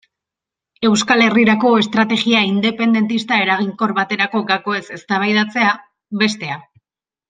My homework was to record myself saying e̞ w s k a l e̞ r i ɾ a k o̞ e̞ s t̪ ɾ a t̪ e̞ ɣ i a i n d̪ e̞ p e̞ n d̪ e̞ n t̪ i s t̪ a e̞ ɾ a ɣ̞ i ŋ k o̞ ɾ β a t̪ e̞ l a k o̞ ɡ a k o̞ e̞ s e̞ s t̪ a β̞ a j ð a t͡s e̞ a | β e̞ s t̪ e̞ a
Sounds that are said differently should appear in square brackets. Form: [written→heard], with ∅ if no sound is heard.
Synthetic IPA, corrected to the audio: e̞ w s k a l e̞ r i ɾ a k o̞ e̞ s t̪ ɾ a t̪ e̞ ɣ i a i n d̪ e̞ p e̞ n d̪ e̞ n t̪ i s t̪ a e̞ ɾ a ɣ̞ i ŋ k o̞ ɾ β a t̪ e̞ [l→ɾ] a k o̞ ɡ a k o̞ e̞ s e̞ s t̪ a β̞ a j ð a t͡s e̞ a | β e̞ s t̪ e̞ a

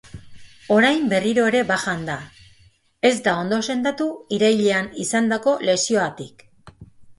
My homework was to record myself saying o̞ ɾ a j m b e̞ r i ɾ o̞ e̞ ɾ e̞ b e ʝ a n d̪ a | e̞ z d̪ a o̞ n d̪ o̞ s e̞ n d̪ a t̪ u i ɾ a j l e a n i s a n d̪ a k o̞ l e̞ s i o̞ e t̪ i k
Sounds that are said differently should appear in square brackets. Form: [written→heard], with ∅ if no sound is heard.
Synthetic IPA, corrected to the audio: o̞ ɾ a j m b e̞ r i ɾ o̞ e̞ ɾ e̞ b [e→a] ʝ a n d̪ a | e̞ z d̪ a o̞ n d̪ o̞ s e̞ n d̪ a t̪ u i ɾ a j [l→ʎ] e a n i s a n d̪ a k o̞ l e̞ s i o̞ [e→a] t̪ i k

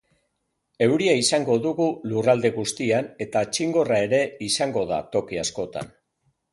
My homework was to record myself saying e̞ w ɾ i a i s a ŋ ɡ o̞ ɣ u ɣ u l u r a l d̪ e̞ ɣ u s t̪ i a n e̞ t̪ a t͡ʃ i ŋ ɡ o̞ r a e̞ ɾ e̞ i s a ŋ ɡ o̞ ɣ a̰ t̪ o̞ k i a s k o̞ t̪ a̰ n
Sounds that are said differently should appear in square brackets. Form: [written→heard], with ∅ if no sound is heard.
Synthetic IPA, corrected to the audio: e̞ w ɾ i a i s a ŋ ɡ o̞ [ɣ→ð] u ɣ u l u r a l d̪ e̞ ɣ u s t̪ i a n e̞ t̪ a t͡ʃ i ŋ ɡ o̞ r a e̞ ɾ e̞ i s a ŋ ɡ o̞ [ɣ→ð] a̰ t̪ o̞ k i a s k o̞ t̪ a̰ n

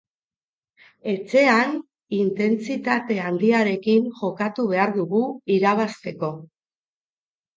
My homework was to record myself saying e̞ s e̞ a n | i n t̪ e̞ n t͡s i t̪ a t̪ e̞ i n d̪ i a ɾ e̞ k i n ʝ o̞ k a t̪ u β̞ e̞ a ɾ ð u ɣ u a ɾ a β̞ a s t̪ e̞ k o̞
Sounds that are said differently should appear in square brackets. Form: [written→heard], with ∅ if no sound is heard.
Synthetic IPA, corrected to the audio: e̞ [s→t͡s] e̞ a n | i n t̪ e̞ n t͡s i t̪ a t̪ e̞ [i→a] n d̪ i a ɾ e̞ k i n ʝ o̞ k a t̪ u β̞ e̞ a ɾ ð u ɣ u [a→i] ɾ a β̞ a s t̪ e̞ k o̞

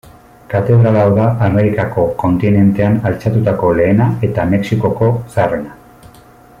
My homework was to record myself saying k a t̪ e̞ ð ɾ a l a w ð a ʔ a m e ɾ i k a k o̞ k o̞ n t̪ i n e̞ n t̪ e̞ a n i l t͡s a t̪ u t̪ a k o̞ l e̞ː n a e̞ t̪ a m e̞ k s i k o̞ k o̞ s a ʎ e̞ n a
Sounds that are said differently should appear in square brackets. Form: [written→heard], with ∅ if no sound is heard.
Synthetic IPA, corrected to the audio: k a t̪ e̞ ð ɾ a l a w ð a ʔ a m e ɾ i k a k o̞ k o̞ n t̪ i n e̞ n t̪ e̞ a n [i→a] l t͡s a t̪ u t̪ a k o̞ l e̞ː n a e̞ t̪ a m e̞ k s i k o̞ k o̞ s a [ʎ→r] e̞ n a

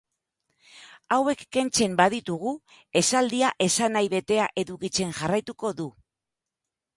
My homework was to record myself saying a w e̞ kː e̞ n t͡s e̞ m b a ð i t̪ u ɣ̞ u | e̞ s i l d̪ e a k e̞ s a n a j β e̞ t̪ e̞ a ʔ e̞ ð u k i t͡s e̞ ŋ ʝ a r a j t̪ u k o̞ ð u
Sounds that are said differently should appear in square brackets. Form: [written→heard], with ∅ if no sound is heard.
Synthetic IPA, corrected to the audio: a w e̞ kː e̞ n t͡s e̞ m b a ð i t̪ u ɣ̞ u | e̞ s [i→a] l d̪ [e→i] a [k→ʔ] e̞ s a n a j β e̞ t̪ e̞ a ʔ e̞ ð u k i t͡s e̞ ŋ ʝ a r a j t̪ u k o̞ ð u

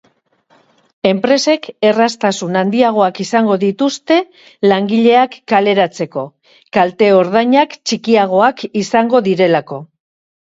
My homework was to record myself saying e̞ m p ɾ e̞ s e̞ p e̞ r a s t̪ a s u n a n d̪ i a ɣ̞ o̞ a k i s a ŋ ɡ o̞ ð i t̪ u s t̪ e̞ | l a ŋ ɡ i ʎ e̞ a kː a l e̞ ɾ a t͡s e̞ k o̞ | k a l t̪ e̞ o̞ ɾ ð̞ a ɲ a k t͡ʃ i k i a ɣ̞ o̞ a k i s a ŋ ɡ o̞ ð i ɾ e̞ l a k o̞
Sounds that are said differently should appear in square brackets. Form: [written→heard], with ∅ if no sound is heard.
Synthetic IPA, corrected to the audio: e̞ m p ɾ e̞ s e̞ [p→k] e̞ r a s t̪ a s u n a n d̪ i a ɣ̞ o̞ a k i s a ŋ ɡ o̞ ð i t̪ u s t̪ e̞ | l a ŋ ɡ i ʎ e̞ a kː a l e̞ ɾ a t͡s e̞ k o̞ | k a l t̪ e̞ o̞ ɾ ð̞ a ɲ a k t͡ʃ i k i a ɣ̞ o̞ a k i s a ŋ ɡ o̞ ð i ɾ e̞ l a k o̞

